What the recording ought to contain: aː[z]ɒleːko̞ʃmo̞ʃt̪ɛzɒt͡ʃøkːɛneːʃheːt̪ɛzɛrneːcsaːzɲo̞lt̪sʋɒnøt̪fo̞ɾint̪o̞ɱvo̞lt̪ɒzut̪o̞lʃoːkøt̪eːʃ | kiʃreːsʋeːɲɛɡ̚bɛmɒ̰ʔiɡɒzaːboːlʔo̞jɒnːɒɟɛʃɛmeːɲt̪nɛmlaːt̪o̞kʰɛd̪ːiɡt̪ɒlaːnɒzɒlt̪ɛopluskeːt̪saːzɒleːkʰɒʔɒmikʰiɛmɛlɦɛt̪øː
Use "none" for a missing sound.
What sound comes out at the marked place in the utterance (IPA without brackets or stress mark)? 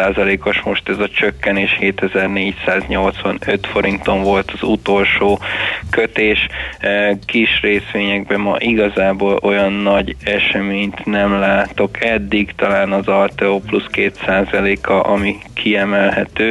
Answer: z